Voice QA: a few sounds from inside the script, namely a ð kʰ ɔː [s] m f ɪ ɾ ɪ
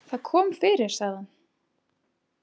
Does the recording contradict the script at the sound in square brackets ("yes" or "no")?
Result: yes